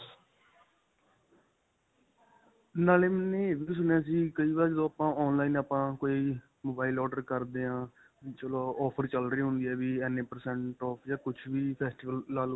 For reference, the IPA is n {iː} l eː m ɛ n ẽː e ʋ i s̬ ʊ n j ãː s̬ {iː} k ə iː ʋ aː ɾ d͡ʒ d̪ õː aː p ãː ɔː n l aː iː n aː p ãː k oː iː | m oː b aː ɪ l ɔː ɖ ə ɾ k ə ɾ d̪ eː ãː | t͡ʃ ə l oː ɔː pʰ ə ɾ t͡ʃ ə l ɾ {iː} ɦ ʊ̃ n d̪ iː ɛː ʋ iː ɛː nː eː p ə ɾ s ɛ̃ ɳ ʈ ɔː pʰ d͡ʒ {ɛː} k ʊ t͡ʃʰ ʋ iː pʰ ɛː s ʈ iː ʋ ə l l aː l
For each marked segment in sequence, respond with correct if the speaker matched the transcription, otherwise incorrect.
incorrect: aː, correct, correct, incorrect: aː

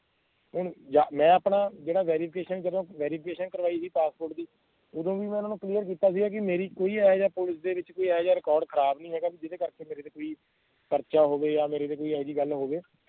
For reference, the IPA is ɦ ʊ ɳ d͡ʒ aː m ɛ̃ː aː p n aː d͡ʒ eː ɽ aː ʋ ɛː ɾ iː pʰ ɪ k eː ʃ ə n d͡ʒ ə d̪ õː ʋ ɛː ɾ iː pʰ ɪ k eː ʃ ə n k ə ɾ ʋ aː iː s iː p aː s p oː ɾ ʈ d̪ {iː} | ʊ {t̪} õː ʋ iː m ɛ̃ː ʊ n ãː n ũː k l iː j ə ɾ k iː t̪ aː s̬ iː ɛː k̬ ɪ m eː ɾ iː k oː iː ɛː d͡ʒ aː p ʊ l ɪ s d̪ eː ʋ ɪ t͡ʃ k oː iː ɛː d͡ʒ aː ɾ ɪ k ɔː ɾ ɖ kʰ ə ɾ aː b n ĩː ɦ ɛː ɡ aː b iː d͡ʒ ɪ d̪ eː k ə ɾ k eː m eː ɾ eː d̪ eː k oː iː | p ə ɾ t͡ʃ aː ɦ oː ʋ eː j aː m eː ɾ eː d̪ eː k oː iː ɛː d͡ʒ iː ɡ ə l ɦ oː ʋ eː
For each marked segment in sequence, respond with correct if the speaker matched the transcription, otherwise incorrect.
correct, incorrect: d̪

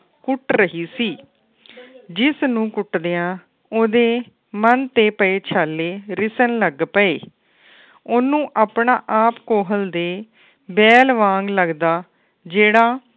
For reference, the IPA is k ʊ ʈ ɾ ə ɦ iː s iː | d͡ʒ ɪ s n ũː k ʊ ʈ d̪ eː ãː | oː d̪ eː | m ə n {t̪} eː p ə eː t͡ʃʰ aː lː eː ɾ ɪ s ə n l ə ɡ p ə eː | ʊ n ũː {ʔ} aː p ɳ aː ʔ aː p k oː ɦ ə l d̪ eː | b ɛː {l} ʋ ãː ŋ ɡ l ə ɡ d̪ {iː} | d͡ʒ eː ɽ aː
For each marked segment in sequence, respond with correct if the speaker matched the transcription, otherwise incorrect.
correct, correct, correct, incorrect: aː

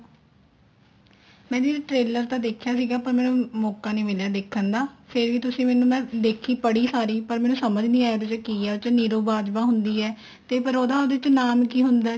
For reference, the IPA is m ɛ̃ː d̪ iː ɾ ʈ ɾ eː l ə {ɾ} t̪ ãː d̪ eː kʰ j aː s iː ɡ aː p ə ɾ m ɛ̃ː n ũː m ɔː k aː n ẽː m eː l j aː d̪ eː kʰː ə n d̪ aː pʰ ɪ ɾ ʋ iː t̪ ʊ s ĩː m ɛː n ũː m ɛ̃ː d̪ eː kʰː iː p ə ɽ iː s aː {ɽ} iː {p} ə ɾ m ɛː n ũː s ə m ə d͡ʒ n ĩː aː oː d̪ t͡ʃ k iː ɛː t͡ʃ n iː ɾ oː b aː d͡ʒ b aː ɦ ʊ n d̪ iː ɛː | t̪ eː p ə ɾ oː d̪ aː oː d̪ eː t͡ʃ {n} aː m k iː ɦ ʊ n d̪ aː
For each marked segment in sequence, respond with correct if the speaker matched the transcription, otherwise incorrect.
correct, incorrect: ɾ, correct, correct

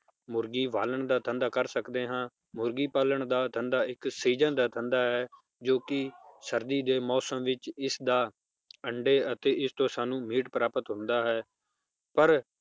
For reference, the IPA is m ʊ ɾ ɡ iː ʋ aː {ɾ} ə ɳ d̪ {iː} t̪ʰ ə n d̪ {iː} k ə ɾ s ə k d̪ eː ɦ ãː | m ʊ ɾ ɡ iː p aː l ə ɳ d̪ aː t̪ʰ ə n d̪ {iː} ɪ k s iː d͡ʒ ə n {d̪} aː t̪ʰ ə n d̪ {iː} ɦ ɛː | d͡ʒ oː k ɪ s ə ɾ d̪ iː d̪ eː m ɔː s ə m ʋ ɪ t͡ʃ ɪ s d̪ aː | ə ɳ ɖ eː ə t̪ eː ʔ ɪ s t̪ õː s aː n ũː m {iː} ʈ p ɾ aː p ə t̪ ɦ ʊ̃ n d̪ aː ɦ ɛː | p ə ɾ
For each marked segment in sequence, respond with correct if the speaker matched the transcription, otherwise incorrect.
incorrect: l, incorrect: aː, incorrect: aː, incorrect: aː, correct, incorrect: aː, correct

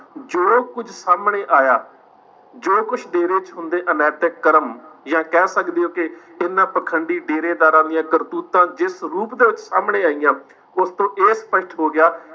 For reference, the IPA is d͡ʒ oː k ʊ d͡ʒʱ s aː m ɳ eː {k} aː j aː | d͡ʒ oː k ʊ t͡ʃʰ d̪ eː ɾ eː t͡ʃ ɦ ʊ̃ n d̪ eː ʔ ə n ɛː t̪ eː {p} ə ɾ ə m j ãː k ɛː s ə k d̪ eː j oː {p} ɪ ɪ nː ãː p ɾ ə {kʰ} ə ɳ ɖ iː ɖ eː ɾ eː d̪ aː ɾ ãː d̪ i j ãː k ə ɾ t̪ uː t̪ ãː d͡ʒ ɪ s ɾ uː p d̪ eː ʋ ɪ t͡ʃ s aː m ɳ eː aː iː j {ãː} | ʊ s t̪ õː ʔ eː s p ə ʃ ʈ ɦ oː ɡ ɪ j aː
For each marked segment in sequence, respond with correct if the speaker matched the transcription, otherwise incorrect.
incorrect: ʔ, incorrect: k, incorrect: k, correct, correct

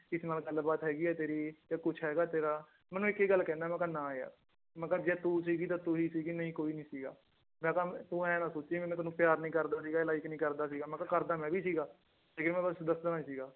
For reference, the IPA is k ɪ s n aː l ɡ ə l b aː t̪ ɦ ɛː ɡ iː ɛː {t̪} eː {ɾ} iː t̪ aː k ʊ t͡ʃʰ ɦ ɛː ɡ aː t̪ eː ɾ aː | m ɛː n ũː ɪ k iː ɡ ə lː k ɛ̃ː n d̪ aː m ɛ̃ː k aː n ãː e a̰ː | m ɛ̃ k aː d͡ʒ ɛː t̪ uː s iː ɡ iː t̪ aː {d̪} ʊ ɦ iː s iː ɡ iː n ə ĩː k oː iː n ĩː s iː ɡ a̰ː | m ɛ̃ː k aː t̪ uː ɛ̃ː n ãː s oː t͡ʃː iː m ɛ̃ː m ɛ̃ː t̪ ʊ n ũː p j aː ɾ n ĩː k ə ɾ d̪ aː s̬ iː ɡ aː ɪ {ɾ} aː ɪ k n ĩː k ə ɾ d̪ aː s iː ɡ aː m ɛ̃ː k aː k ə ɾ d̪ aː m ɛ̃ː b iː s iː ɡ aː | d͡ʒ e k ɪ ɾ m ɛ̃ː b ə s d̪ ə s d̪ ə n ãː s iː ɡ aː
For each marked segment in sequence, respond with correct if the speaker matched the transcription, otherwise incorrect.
correct, correct, incorrect: t̪, incorrect: l

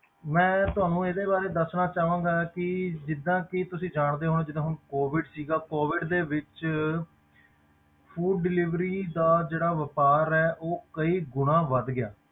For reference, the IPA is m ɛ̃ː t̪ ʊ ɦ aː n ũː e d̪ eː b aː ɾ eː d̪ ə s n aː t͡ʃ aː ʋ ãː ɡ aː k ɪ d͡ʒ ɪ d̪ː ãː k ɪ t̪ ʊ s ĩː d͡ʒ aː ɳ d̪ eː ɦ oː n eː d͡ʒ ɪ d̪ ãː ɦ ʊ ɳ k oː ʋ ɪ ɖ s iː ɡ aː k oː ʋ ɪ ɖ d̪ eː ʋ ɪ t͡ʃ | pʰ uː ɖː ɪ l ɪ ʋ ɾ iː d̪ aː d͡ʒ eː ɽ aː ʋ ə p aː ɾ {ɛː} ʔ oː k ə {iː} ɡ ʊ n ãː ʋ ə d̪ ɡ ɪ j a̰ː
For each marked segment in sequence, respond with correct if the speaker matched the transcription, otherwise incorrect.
correct, correct

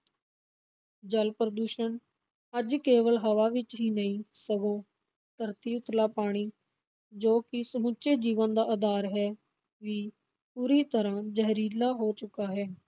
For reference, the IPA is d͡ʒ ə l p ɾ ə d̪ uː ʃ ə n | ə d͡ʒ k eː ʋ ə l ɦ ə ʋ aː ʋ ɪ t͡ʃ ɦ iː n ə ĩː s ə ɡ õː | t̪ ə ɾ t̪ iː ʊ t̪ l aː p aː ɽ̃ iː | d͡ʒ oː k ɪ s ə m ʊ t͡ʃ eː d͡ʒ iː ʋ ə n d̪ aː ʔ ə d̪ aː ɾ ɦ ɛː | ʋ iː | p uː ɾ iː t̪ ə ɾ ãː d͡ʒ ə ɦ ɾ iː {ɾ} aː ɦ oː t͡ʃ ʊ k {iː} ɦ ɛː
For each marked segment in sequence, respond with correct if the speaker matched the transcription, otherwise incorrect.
incorrect: l, incorrect: aː

